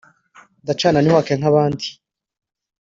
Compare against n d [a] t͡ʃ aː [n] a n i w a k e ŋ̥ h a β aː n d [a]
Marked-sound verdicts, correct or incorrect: correct, correct, incorrect

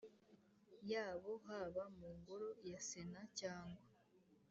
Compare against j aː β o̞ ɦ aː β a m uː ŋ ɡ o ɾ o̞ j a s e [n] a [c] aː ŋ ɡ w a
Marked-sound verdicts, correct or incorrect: correct, correct

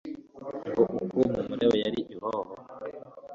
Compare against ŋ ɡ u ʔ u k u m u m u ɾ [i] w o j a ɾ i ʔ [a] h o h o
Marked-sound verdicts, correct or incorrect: incorrect, incorrect

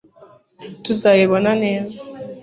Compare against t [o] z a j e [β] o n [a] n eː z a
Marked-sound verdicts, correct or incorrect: incorrect, correct, correct

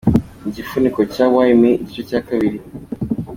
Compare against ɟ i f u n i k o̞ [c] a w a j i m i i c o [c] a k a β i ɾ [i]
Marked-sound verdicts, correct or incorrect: correct, correct, correct

